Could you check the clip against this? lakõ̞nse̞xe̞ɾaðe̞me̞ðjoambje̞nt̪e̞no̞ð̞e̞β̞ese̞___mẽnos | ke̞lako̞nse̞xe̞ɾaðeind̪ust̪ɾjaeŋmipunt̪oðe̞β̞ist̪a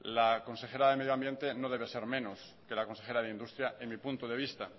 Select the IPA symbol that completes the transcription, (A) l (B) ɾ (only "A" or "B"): B